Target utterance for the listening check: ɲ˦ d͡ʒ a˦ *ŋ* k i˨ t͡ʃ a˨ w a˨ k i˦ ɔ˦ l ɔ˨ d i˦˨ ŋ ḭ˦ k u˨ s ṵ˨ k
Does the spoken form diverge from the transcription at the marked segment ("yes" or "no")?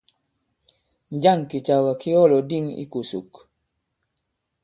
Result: no